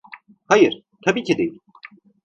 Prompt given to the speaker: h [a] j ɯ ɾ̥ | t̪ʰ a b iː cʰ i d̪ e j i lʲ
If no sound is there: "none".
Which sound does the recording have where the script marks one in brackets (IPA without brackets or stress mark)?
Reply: a